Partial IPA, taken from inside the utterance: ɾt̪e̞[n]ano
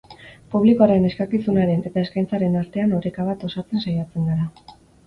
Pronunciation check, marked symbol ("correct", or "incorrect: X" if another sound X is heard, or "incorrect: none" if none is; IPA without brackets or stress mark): incorrect: none